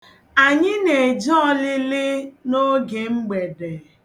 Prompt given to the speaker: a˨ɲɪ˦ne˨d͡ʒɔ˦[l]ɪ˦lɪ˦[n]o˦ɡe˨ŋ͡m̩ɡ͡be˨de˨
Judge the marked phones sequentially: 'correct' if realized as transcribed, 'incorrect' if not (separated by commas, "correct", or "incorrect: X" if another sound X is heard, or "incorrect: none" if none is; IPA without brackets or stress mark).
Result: correct, correct